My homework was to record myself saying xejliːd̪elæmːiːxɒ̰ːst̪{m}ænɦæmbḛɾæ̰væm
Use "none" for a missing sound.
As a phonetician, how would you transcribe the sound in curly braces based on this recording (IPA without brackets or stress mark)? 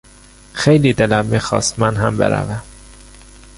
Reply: m